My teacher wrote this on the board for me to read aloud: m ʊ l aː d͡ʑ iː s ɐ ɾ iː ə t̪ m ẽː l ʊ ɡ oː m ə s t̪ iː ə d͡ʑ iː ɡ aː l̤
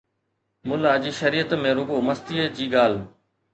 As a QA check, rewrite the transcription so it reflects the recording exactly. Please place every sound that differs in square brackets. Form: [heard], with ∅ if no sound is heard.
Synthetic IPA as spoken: m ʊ l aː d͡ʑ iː [ʃ] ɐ ɾ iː ə t̪ m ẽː [ɾ] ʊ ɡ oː m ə s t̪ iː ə d͡ʑ iː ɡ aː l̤